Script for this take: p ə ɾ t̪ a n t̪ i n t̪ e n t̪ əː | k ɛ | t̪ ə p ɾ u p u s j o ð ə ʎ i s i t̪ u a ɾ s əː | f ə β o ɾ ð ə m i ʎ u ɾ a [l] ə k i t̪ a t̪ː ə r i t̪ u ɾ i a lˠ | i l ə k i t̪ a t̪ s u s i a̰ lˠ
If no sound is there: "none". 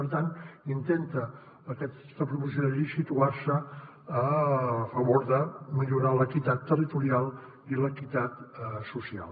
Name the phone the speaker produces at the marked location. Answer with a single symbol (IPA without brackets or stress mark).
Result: l